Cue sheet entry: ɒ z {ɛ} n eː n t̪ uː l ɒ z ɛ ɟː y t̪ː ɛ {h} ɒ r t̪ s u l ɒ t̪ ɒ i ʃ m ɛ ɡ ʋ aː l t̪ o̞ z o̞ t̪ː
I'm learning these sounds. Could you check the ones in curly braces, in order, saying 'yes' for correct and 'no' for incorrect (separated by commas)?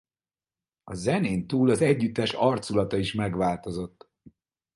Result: yes, no